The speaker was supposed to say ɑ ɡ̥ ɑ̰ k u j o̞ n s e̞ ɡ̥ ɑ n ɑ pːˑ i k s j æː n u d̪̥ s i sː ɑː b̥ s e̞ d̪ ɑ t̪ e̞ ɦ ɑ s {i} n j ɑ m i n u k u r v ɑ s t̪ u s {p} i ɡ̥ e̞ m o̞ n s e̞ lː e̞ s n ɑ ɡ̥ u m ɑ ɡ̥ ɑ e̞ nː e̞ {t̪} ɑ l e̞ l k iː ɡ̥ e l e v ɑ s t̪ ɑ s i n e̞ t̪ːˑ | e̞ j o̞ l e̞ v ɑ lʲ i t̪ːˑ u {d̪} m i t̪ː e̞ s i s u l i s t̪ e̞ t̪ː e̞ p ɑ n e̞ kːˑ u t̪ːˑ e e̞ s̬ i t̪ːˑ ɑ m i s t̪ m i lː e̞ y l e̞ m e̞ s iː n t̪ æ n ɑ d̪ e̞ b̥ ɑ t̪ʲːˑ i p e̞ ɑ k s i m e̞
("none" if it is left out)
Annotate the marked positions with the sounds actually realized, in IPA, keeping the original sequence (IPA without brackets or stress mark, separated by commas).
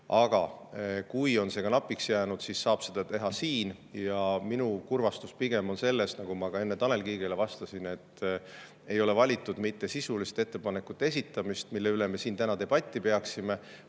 iː, p, t̪, d̪